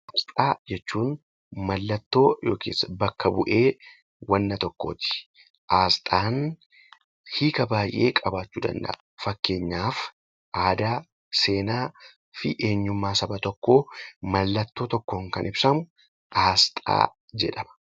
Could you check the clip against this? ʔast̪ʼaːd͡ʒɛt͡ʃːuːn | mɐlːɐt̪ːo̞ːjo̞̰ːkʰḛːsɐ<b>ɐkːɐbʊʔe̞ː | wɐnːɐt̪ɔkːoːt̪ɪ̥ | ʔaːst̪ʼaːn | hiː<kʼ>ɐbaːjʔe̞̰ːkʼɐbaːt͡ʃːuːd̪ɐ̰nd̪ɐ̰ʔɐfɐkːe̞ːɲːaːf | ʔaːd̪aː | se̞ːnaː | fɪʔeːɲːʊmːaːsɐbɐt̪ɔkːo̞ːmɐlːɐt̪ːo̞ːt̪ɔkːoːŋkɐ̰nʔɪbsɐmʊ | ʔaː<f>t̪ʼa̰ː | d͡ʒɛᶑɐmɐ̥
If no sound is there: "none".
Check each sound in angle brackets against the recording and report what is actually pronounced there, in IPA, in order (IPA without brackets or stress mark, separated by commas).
b, k, s